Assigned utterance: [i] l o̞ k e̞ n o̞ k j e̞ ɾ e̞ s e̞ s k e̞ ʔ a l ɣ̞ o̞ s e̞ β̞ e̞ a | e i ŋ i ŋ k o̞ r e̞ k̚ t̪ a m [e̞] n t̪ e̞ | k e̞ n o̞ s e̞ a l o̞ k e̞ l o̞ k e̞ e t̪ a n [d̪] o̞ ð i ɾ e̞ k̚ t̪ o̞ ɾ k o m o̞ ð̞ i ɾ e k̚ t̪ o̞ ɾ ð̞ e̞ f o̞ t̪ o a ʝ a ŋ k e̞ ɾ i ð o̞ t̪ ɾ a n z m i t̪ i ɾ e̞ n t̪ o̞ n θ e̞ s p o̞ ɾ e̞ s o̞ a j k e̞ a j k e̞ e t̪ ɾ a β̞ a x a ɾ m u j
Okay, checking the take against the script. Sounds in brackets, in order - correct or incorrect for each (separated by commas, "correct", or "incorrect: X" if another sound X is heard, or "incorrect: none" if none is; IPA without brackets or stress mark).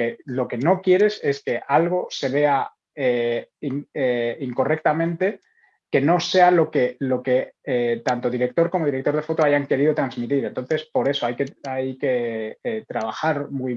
incorrect: e, incorrect: ẽ̞, incorrect: t̪